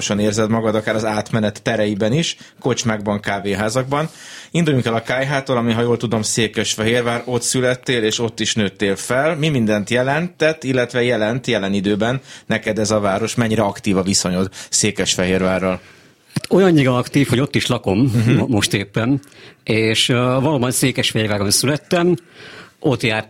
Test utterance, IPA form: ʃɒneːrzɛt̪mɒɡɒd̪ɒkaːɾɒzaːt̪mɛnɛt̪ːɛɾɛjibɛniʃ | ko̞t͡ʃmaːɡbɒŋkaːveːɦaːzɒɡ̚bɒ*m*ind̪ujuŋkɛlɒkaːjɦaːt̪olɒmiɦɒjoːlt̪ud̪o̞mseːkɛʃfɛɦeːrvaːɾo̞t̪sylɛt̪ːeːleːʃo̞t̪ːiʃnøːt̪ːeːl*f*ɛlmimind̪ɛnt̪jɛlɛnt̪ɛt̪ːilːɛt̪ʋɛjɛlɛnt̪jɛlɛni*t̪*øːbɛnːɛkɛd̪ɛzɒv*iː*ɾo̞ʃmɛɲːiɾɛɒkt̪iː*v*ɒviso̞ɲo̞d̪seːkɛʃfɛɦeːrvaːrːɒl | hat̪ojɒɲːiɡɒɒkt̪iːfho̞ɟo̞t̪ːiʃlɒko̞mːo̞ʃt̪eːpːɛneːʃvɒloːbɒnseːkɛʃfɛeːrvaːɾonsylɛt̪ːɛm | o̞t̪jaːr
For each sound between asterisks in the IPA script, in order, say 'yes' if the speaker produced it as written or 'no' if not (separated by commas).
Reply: no, yes, no, no, yes